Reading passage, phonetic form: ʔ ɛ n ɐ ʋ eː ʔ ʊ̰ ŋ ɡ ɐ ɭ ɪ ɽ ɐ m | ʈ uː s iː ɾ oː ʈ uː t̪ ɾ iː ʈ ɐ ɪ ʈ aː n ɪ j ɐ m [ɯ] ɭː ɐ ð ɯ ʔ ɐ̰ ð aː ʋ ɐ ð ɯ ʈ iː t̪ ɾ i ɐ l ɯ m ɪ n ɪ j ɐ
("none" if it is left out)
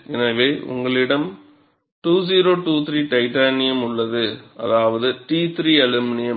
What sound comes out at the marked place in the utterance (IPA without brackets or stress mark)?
ʊ